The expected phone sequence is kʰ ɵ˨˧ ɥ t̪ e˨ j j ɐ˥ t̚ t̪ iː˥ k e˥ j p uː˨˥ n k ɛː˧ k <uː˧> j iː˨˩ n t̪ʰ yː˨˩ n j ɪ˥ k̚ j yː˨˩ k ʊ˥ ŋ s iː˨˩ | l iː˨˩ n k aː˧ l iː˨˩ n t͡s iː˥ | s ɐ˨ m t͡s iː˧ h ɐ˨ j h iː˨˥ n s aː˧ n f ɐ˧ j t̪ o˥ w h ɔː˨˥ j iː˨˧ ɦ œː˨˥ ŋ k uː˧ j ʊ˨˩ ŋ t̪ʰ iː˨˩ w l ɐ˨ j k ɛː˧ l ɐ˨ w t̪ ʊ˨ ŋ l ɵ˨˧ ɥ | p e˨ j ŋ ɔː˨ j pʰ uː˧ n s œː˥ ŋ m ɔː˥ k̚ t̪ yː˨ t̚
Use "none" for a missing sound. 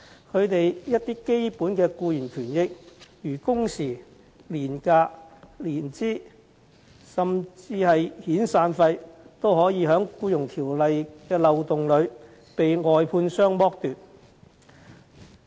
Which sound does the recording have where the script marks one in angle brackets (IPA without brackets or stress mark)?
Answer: uː˧